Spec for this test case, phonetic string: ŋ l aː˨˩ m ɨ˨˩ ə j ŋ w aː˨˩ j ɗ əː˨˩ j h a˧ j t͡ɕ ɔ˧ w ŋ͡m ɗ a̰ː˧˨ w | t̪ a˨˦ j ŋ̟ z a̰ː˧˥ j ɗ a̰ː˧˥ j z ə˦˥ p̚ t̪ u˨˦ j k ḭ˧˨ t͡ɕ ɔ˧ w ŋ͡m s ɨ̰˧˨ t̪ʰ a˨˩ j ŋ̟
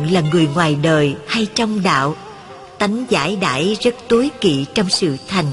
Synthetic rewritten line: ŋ l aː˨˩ ŋ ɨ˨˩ ə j ŋ w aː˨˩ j ɗ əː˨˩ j h a˧ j t͡ɕ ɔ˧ w ŋ͡m ɗ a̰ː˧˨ w | t̪ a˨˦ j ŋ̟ z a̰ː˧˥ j ɗ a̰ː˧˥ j z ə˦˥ t̚ t̪ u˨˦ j k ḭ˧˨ t͡ɕ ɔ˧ w ŋ͡m s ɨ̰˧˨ t̪ʰ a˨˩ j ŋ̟